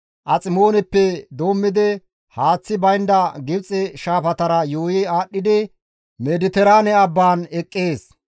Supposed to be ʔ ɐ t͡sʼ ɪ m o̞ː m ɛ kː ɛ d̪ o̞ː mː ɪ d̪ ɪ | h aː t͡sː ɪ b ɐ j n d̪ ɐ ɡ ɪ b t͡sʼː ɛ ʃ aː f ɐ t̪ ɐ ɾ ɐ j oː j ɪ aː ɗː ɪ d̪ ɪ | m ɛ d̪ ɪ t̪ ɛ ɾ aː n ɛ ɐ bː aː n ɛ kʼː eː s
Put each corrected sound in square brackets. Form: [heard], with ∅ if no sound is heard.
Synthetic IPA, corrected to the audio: ʔ ɐ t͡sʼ ɪ m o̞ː [n] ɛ [pː] ɛ d̪ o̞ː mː ɪ d̪ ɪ | h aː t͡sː ɪ b ɐ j n d̪ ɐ ɡ ɪ b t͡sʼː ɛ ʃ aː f ɐ t̪ ɐ ɾ ɐ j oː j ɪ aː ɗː ɪ d̪ ɪ | m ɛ d̪ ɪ t̪ ɛ ɾ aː n ɛ ɐ bː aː n ɛ kʼː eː s